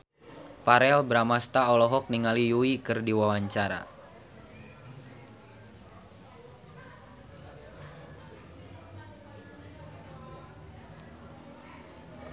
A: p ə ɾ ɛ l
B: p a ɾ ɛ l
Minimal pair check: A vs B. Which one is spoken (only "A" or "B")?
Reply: B